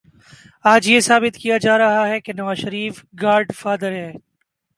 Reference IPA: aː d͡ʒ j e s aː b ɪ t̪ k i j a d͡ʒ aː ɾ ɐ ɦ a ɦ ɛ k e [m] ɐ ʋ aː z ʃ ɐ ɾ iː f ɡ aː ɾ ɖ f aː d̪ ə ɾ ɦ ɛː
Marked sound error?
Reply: yes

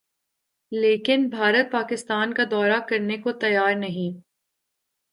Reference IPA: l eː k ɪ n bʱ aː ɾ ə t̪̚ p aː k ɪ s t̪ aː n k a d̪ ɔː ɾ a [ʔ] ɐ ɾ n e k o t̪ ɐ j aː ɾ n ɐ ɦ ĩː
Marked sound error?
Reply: yes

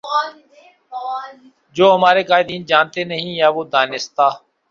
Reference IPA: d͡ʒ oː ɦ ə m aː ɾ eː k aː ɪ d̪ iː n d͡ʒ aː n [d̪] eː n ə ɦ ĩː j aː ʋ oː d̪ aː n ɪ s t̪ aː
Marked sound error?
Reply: yes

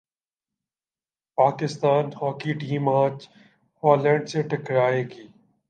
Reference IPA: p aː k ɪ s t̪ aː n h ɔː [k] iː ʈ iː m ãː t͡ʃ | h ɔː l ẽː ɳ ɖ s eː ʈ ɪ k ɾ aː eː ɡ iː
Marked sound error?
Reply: no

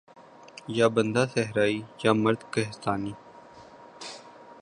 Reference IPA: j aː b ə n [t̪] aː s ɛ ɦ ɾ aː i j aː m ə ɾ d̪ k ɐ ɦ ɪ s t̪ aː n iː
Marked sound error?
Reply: yes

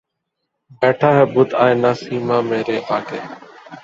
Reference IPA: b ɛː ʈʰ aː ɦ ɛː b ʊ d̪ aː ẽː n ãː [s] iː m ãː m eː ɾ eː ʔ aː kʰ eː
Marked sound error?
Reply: no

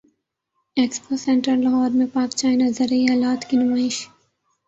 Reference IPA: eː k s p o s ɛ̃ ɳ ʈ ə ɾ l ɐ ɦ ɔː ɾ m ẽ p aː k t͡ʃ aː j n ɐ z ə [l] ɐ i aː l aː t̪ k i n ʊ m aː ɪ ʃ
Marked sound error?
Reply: yes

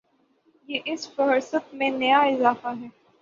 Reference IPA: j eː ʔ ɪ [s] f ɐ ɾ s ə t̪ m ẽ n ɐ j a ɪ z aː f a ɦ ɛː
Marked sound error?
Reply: no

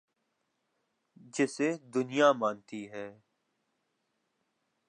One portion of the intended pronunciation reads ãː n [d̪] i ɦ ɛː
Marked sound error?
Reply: yes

